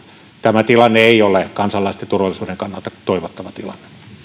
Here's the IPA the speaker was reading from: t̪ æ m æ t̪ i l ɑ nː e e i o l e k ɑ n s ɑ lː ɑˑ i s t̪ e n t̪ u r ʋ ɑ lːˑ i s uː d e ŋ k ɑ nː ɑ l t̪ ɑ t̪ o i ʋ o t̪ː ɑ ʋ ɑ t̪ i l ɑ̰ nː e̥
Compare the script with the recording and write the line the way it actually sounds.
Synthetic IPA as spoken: t̪ æ m æ t̪ i l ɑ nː e e i o l e k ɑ n s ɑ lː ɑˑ i s t̪ e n t̪ u r ʋ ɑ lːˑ i s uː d e ŋ k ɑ nː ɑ l t̪ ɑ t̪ o i ʋ o t̪ː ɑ ʋ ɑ t̪ i l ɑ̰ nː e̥